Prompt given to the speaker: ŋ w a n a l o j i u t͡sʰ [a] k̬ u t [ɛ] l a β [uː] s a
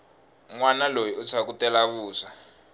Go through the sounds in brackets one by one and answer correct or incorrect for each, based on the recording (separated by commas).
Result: correct, correct, correct